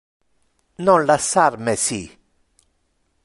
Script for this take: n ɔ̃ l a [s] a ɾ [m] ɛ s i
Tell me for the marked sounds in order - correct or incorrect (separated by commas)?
correct, correct